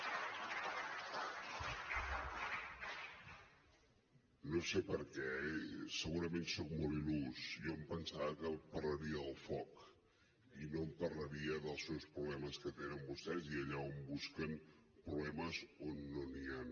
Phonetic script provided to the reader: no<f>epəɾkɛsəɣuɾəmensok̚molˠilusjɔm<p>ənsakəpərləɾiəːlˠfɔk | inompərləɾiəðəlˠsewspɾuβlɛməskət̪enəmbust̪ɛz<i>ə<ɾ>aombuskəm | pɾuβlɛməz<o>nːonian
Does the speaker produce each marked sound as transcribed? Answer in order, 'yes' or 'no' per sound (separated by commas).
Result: no, yes, yes, no, yes